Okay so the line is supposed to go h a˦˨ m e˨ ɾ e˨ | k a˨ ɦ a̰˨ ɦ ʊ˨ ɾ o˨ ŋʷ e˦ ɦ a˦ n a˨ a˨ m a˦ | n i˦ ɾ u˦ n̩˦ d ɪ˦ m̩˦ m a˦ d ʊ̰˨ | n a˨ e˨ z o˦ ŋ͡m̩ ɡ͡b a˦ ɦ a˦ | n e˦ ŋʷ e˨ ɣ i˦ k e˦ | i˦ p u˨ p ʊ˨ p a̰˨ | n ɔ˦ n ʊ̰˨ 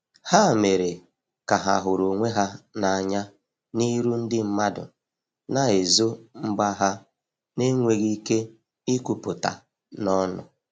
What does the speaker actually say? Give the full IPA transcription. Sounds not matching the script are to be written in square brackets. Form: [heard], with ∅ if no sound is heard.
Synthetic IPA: h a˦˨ m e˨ ɾ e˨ | k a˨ ɦ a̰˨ ɦ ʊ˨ ɾ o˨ ŋʷ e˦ ɦ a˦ n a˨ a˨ [ɲ] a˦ | n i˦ ɾ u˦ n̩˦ d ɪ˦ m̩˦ m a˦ d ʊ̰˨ | n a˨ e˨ z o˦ ŋ͡m̩ ɡ͡b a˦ ɦ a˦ | n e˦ ŋʷ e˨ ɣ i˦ k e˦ | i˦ [k] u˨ p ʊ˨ [t] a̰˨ | n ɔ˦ n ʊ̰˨

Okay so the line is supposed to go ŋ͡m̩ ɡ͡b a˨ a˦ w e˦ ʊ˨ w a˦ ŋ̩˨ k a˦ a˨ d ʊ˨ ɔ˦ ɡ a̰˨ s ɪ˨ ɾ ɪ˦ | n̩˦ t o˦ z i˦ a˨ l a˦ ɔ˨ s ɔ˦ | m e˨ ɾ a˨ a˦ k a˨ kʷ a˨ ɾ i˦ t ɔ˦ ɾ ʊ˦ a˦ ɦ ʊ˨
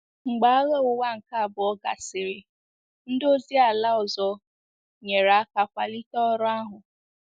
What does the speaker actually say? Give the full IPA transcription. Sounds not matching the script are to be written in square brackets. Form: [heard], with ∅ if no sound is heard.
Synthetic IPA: ŋ͡m̩ ɡ͡b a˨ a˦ [ɣ] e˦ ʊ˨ w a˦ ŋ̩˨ k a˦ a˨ [b] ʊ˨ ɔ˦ ɡ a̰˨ s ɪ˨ ɾ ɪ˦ | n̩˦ [d] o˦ z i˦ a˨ l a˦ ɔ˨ [z] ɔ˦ | [ɲ] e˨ ɾ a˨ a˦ k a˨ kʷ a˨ [l] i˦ t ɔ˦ ɾ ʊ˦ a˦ ɦ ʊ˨

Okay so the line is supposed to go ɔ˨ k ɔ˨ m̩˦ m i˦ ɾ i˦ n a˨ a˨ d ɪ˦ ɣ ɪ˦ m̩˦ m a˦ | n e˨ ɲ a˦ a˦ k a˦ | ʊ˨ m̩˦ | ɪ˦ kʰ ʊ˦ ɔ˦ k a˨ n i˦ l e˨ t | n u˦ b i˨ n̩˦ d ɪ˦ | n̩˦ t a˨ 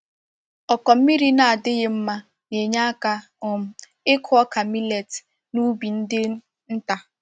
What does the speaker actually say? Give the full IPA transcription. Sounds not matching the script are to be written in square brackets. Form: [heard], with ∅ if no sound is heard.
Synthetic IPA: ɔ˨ k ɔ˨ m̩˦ m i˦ ɾ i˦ n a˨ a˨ d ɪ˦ ɣ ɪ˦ m̩˦ m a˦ | n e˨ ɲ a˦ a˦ k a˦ | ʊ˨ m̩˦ | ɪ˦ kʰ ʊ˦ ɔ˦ k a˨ [m] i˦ l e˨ t | n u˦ b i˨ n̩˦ d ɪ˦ | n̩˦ t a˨

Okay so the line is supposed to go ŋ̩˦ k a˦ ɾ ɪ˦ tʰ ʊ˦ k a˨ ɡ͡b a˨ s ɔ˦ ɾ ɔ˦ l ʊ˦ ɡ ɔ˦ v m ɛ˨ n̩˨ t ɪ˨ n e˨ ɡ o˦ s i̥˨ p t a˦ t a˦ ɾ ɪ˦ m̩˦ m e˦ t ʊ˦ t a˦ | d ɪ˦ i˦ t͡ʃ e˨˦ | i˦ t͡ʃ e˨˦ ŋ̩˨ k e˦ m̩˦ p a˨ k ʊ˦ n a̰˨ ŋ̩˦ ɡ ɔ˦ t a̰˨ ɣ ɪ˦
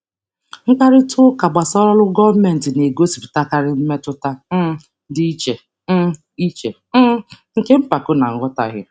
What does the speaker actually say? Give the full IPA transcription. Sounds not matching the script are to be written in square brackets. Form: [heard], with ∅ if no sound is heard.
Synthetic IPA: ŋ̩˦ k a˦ ɾ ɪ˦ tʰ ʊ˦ k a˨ ɡ͡b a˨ s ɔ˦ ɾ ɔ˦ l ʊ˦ ɡ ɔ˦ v m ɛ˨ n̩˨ t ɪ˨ n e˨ ɡ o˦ s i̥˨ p t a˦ [k] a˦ ɾ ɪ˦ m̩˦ m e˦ t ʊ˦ t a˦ | d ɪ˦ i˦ t͡ʃ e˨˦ | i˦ t͡ʃ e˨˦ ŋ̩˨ k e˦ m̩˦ p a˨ k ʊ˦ n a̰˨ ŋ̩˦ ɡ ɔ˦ t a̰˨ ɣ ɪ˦

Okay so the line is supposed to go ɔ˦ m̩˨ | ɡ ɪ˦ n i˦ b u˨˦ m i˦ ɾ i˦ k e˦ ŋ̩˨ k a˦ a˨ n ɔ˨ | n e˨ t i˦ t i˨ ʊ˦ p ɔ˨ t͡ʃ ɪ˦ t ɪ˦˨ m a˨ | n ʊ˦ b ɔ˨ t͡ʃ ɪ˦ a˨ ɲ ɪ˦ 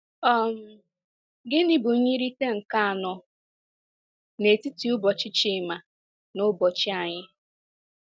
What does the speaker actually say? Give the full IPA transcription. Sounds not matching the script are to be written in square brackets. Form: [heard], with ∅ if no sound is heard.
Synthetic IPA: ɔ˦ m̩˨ | ɡ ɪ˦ n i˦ b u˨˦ [ɲ] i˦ ɾ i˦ [t] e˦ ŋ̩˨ k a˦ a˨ n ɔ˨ | n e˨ t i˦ t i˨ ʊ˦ [b] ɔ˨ t͡ʃ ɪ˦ [t͡ʃ] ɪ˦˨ m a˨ | n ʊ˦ b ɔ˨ t͡ʃ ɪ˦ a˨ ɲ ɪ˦

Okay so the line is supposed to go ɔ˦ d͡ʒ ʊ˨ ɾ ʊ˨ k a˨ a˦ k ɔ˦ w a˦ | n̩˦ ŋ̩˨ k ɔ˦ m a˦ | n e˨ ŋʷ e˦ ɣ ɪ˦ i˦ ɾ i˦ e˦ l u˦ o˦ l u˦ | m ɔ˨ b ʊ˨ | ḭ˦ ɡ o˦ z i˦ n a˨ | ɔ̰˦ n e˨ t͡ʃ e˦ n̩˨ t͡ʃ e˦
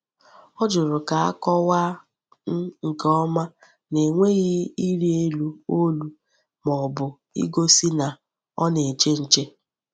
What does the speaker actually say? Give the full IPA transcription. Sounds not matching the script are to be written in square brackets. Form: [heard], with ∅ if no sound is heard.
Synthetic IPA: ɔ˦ d͡ʒ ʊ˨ ɾ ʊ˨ k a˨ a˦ k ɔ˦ w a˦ | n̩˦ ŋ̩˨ k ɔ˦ m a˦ | n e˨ ŋʷ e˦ ɣ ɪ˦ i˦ ɾ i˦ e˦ l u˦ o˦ l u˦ | m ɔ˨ b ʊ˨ | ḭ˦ ɡ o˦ [s] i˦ n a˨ | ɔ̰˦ n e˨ t͡ʃ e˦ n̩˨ t͡ʃ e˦

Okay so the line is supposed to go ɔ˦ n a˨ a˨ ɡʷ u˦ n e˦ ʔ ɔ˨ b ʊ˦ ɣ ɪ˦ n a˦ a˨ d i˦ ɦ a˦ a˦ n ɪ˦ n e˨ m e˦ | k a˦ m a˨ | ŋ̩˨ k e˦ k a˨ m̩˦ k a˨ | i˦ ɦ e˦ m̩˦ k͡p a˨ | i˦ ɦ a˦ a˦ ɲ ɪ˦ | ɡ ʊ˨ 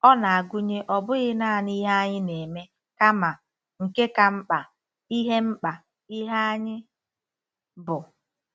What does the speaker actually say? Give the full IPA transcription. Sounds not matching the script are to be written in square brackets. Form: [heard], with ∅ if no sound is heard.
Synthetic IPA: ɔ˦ n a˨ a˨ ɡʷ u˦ [ɲ] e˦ ʔ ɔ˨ b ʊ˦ ɣ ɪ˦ n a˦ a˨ [n] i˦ ɦ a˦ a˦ [ɲ] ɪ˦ n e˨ m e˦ | k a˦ m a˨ | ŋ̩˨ k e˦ k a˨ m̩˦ [k͡p] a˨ | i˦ ɦ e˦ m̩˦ k͡p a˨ | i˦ ɦ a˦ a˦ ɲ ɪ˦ | [b] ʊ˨

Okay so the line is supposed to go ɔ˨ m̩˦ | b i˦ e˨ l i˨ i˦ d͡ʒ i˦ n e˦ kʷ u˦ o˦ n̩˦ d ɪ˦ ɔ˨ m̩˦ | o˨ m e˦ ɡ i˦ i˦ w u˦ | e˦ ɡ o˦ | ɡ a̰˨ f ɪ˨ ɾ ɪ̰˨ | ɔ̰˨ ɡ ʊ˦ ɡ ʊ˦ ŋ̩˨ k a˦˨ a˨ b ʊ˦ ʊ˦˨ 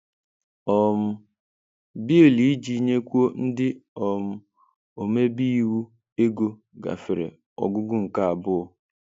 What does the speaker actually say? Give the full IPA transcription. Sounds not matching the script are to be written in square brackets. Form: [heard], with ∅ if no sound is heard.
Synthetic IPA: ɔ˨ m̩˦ | b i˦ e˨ l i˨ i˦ d͡ʒ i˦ [ɲ] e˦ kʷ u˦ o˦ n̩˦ d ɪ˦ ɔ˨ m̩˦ | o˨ m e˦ [b] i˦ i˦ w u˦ | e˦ ɡ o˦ | ɡ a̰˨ f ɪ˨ ɾ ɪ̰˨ | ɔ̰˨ ɡ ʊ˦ ɡ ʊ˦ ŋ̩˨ k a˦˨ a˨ b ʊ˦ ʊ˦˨

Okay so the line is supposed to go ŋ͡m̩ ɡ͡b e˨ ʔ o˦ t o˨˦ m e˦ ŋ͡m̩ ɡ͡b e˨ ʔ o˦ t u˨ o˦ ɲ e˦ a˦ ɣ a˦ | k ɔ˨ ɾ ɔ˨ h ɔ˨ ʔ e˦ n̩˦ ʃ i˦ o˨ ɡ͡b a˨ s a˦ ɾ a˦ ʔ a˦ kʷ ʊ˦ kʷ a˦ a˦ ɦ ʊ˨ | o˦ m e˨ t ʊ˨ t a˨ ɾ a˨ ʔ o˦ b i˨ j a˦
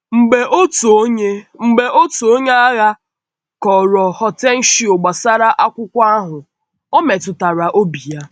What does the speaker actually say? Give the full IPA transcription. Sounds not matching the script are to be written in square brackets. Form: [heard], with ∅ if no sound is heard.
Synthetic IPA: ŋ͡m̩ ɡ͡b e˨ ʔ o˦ t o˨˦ [ɲ] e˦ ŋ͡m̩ ɡ͡b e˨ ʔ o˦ t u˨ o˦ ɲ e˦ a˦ ɣ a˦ | k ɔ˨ ɾ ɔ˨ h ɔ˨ [t] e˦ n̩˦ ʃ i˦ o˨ ɡ͡b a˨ s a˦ ɾ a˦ ʔ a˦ kʷ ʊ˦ kʷ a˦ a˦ ɦ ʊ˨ | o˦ m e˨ t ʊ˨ t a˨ ɾ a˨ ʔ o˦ b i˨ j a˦

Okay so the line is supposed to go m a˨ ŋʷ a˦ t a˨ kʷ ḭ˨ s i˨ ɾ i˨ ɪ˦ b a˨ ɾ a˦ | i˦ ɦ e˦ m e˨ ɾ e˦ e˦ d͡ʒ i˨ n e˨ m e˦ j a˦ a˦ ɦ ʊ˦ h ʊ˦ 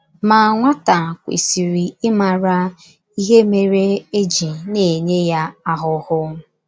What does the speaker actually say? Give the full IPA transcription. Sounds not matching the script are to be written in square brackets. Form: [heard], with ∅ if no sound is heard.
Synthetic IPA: m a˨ ŋʷ a˦ t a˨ kʷ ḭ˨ s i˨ ɾ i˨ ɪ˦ [m] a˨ ɾ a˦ | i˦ ɦ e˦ m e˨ ɾ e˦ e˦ d͡ʒ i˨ n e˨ [ɲ] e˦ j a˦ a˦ ɦ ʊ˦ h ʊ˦

